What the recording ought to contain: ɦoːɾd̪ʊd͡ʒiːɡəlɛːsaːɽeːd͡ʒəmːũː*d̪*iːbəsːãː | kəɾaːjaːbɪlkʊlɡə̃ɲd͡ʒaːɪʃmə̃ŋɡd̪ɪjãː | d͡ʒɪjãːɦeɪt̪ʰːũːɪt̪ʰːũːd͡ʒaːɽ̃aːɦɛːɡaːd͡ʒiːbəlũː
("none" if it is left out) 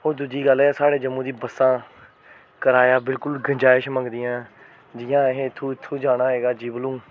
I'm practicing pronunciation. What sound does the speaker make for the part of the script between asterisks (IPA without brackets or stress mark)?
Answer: d̪